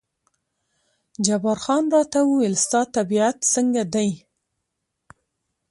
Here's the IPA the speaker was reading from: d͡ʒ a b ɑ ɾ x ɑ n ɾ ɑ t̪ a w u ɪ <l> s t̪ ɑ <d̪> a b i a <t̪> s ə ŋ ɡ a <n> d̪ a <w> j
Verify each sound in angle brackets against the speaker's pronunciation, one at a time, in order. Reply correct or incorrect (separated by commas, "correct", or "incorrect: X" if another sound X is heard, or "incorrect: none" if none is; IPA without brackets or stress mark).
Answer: correct, incorrect: t̪, correct, incorrect: none, incorrect: none